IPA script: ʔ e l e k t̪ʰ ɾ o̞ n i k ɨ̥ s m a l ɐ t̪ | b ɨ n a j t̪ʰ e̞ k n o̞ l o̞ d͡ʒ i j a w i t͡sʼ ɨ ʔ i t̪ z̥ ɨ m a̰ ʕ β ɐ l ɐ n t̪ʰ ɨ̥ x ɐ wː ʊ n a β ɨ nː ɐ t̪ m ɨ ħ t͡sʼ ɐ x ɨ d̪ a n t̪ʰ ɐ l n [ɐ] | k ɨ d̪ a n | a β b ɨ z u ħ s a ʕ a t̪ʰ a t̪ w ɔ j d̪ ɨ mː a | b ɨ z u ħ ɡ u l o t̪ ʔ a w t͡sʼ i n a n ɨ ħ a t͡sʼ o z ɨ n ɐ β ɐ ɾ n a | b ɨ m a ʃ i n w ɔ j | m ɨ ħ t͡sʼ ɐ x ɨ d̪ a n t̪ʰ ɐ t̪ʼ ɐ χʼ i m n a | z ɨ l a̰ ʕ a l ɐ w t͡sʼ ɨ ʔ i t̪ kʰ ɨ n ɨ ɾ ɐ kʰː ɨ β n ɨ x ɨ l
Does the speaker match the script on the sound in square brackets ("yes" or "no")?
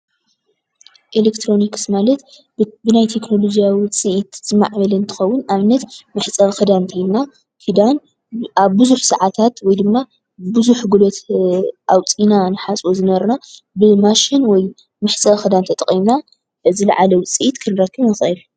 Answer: no